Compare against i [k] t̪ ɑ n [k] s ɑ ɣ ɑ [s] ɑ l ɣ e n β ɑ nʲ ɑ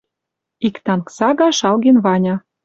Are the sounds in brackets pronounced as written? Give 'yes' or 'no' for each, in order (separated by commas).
yes, yes, no